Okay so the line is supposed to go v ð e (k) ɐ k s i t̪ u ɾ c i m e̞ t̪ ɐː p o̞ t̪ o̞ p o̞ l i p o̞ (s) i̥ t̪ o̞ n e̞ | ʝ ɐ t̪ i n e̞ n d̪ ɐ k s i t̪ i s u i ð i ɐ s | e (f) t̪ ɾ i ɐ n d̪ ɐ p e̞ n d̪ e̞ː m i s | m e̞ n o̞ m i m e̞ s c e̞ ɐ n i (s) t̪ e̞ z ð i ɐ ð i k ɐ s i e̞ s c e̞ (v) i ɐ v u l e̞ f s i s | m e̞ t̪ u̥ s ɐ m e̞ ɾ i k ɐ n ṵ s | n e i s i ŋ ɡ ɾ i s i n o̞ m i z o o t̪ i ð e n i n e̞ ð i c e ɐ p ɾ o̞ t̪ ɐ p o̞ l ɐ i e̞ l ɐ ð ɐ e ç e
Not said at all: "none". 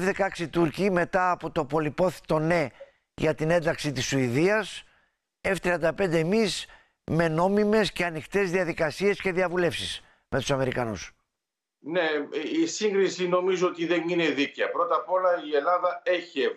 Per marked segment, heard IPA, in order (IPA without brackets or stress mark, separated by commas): k, θ, f, x, ð